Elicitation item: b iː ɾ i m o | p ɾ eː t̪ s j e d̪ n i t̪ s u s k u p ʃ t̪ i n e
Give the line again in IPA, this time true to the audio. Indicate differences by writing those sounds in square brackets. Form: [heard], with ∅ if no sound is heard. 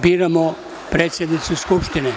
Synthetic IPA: b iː ɾ [a] m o | p ɾ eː t̪ s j e d̪ n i t̪ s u s k u p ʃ t̪ i n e